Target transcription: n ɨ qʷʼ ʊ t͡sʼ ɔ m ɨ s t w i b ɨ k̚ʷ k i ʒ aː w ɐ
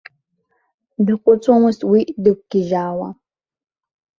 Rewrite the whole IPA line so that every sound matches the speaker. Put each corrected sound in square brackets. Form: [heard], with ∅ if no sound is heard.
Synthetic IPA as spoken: [d] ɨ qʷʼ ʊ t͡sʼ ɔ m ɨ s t w i [d] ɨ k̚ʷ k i ʒ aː w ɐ